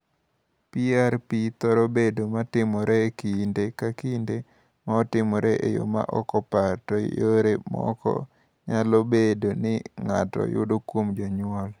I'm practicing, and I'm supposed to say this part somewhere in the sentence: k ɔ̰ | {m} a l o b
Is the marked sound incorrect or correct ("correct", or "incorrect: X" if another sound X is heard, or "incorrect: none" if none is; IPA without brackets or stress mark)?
incorrect: ɲ